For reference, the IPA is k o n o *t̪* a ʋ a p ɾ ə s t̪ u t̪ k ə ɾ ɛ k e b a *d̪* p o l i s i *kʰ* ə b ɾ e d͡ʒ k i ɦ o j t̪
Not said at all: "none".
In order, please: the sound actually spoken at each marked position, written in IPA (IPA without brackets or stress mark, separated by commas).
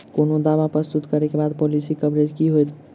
d̪, d̪, k